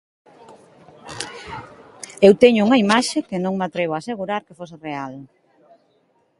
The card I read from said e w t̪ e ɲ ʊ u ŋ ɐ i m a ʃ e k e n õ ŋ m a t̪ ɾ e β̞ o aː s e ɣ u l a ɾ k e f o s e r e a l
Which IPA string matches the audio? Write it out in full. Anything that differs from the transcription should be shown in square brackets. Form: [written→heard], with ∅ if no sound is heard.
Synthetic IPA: e w t̪ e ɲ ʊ u ŋ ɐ i m a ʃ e k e n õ ŋ m a t̪ ɾ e β̞ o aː s e ɣ u [l→ɾ] a ɾ k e f o s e r e a l